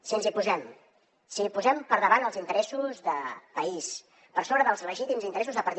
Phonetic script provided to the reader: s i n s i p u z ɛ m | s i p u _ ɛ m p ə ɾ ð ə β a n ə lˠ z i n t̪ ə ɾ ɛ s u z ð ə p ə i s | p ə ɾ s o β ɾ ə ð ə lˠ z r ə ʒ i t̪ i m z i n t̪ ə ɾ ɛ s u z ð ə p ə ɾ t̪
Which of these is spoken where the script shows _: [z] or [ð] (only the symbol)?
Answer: z